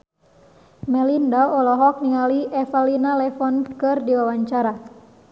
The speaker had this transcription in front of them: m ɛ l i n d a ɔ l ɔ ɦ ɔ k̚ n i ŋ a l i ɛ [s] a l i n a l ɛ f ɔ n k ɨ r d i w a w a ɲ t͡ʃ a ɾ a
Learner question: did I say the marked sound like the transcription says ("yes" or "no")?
no